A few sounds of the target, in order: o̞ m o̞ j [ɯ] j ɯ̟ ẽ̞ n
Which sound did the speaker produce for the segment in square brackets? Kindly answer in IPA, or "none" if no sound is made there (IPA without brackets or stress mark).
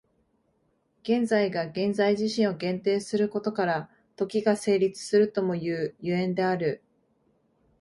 ɯː